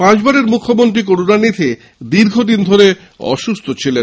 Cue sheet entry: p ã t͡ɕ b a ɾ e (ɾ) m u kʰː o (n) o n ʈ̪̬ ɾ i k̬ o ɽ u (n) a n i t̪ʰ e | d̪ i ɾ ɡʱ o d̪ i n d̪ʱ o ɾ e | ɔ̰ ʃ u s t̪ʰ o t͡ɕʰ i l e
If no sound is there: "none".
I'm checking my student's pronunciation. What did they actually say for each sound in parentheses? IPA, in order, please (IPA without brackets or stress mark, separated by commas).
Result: ɾ, m, n